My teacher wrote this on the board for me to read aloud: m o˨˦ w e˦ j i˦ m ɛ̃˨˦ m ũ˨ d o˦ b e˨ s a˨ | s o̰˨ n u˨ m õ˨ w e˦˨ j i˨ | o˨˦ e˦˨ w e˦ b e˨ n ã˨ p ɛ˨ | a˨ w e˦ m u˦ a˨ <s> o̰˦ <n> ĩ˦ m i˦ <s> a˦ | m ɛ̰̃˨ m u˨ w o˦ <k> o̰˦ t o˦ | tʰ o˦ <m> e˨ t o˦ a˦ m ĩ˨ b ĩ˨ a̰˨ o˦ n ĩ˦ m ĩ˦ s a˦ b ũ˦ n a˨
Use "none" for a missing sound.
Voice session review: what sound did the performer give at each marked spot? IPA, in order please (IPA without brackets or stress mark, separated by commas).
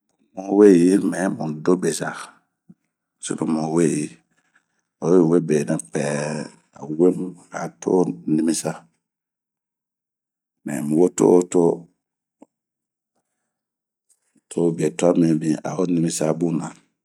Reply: t, n, s, t, b